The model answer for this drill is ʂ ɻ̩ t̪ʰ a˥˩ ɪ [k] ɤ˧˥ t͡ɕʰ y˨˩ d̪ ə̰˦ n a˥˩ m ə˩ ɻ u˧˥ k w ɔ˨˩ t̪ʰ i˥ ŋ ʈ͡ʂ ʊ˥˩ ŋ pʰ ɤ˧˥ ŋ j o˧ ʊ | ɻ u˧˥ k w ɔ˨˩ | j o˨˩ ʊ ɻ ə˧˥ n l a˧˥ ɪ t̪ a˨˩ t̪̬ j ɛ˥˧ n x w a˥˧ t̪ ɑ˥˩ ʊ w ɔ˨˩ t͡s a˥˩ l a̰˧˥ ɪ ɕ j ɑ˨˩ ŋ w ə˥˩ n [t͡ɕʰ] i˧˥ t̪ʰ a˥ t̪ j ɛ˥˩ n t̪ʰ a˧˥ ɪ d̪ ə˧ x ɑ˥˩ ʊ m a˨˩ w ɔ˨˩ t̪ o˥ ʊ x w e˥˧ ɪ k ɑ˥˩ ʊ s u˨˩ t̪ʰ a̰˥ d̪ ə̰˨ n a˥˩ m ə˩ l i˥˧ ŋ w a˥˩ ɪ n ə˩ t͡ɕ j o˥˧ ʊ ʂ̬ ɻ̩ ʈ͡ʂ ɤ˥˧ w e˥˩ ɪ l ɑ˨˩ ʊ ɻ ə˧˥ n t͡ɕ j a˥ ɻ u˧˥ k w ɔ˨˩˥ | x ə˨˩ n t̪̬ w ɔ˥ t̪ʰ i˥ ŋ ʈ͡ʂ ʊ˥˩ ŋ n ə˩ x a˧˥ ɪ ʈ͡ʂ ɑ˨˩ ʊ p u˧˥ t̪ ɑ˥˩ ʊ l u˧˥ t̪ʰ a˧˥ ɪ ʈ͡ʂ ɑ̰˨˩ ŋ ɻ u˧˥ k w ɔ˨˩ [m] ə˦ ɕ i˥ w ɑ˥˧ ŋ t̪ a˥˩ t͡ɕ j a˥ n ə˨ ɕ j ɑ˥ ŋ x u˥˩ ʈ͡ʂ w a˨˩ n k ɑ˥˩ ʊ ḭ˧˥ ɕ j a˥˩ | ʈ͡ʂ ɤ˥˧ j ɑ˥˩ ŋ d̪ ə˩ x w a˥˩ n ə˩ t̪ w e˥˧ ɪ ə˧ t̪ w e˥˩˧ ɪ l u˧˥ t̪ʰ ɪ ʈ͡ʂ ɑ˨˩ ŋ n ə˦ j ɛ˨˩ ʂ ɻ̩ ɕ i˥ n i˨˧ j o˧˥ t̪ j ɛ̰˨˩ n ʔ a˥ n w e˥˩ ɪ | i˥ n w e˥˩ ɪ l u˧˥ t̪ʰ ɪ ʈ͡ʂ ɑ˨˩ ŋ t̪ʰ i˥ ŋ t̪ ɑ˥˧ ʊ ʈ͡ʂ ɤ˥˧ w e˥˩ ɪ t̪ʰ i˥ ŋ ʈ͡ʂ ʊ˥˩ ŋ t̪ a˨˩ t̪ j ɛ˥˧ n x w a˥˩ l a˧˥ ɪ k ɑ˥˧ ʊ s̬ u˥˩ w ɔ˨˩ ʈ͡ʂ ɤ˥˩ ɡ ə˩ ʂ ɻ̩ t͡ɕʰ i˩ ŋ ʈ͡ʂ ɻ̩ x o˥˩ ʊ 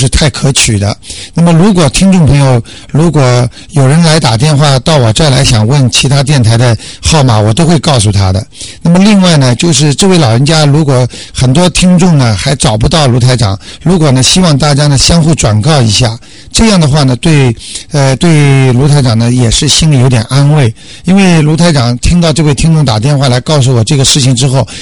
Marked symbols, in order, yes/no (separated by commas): no, yes, no